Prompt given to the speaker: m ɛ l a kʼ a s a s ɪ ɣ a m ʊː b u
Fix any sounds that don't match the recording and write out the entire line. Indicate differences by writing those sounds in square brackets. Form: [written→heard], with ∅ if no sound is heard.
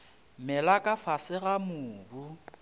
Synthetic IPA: m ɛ l a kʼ a [s→f] a s ɪ ɣ a m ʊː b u